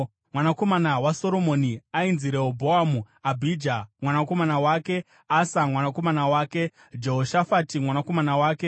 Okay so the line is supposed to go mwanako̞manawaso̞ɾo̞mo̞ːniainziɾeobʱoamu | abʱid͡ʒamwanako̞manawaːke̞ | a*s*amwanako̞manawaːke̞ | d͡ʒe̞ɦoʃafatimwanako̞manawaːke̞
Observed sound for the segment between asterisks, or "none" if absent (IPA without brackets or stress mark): s